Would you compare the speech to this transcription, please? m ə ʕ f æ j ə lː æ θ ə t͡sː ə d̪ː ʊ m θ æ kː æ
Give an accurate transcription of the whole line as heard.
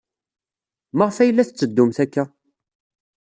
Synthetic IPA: m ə ʁ f æ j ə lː æ θ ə t͡sː ə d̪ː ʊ m θ æ kː æ